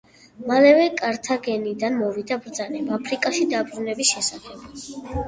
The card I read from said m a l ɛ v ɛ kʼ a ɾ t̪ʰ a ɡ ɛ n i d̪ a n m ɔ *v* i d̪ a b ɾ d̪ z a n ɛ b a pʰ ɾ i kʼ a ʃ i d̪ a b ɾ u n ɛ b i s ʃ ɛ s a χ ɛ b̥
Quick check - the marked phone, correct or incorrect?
correct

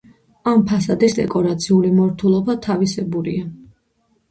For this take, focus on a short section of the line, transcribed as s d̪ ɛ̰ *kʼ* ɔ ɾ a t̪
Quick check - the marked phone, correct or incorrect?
correct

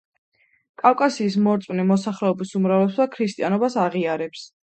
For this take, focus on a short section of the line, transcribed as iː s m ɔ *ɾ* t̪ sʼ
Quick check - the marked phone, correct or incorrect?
correct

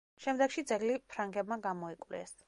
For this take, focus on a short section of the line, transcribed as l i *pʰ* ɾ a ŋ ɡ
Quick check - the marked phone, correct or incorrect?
correct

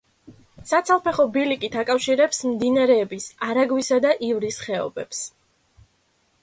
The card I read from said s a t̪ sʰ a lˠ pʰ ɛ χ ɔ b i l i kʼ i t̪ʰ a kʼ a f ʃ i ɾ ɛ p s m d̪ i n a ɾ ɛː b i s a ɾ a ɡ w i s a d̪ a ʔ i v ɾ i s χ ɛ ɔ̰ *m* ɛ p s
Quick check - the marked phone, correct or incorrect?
incorrect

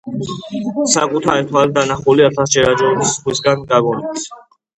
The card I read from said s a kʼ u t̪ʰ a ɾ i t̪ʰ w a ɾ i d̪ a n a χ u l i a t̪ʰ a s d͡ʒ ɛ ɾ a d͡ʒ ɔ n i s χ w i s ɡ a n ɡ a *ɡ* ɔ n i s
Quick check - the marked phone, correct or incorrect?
correct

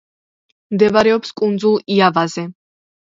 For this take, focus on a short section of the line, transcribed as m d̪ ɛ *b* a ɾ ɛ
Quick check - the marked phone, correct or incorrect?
incorrect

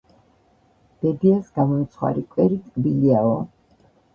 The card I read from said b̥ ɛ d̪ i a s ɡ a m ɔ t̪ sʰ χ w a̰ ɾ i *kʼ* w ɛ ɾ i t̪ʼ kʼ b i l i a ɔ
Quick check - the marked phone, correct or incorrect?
correct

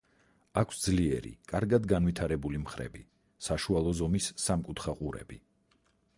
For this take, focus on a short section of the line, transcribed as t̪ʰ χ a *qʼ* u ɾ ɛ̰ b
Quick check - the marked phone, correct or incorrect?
correct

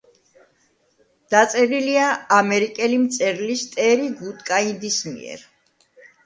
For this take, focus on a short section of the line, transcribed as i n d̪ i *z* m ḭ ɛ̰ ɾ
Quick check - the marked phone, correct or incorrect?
incorrect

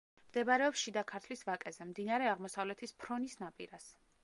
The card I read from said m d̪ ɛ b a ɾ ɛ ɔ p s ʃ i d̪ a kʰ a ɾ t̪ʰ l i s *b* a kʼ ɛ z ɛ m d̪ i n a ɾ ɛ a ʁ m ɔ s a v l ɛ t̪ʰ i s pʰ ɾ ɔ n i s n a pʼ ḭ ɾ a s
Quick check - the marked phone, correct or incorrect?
incorrect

